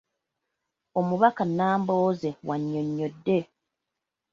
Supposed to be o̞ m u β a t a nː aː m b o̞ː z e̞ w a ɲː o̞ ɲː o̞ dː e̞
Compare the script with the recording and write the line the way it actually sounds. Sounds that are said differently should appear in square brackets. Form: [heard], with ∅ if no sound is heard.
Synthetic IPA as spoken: o̞ m u β a [k] a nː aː m b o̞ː z e̞ w a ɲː o̞ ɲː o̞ dː e̞

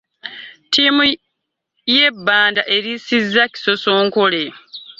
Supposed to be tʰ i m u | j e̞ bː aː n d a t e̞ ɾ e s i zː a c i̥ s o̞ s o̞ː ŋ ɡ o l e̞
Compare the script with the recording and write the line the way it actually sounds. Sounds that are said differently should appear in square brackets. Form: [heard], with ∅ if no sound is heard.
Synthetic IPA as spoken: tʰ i m u | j e̞ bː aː n d a [ʔ] e̞ ɾ [i] s i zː a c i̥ s o̞ s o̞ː ŋ [k] o l e̞

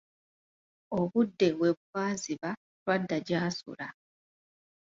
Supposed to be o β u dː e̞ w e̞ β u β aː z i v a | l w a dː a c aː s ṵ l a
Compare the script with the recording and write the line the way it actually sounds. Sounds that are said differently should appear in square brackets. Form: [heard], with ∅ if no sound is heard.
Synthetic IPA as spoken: o β u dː e̞ w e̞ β u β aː z i [β] a | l w a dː a [ɟ] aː s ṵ l a

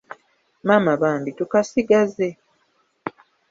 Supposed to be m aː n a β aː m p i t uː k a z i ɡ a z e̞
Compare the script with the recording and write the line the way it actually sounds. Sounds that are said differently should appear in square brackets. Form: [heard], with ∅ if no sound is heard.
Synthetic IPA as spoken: m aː [m] a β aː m [b] i t [u] k a [s] i ɡ a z e̞

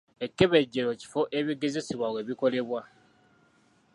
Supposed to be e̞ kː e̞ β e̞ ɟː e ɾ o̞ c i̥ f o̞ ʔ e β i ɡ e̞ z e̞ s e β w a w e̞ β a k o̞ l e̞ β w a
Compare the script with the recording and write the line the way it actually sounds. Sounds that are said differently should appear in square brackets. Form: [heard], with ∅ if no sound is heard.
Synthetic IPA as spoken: e̞ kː e̞ β e̞ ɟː e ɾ o̞ c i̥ f o̞ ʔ e β i ɡ e̞ z e̞ s [i] β w a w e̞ β [i] k o̞ l e̞ β w a

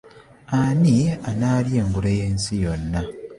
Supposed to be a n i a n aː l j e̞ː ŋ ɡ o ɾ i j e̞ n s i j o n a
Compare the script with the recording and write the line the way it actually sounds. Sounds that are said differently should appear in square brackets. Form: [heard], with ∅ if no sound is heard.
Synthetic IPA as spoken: a n i a n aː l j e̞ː ŋ ɡ [u] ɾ [e] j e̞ n s i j o [nː] a

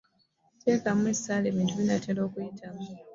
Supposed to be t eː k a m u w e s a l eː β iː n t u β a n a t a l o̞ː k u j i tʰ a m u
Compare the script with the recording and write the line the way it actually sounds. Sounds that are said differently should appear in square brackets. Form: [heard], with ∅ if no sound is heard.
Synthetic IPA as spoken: t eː k a m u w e s a l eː β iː n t u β [i] n a t [e] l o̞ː k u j i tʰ a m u

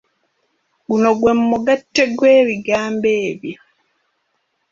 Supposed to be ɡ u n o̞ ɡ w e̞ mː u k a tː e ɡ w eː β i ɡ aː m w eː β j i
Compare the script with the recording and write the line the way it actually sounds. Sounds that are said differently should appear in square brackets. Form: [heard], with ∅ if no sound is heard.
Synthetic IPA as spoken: ɡ u n o̞ ɡ w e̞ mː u [ɡ] a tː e ɡ w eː β i ɡ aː m [b] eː β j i

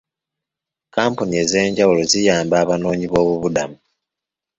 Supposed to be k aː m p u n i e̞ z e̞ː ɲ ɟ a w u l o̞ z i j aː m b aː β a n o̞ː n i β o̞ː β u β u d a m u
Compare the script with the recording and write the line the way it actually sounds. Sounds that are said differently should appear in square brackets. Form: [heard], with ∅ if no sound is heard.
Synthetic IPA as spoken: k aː m p u n i e̞ z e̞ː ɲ ɟ a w u l o̞ z i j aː m b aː β a n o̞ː [ɲ] i β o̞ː β u β u d a m u

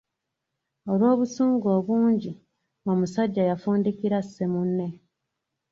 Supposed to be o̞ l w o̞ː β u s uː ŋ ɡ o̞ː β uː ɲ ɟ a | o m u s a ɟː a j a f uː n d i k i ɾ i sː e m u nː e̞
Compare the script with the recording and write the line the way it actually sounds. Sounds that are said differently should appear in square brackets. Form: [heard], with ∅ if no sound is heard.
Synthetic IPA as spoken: o̞ l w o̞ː β u s uː ŋ ɡ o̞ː β uː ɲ ɟ [i] | o m u s a ɟː a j a f uː n d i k i ɾ [a] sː e m u nː e̞

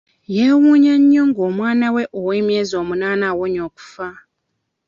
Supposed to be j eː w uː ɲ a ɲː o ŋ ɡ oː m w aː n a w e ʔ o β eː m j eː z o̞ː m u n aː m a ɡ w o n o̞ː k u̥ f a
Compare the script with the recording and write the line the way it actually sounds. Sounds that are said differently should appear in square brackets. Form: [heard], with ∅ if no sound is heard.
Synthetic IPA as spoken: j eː w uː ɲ a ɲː o ŋ ɡ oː m w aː n a w e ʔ o [w] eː m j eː z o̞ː m u n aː [n] a [∅] w o [ɲ] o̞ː k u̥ f a

